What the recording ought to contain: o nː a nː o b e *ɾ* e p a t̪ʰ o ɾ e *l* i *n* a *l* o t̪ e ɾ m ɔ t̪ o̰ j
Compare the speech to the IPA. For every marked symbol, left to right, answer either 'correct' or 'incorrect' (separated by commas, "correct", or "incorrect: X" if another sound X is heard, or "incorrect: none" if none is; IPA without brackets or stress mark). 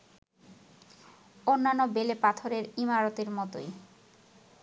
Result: incorrect: l, incorrect: ɾ, incorrect: m, incorrect: ɾ